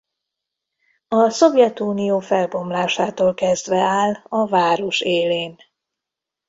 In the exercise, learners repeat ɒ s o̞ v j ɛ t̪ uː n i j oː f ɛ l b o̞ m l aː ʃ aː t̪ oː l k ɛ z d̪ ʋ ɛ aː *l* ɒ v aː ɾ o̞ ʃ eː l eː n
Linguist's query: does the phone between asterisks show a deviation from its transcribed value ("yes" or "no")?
no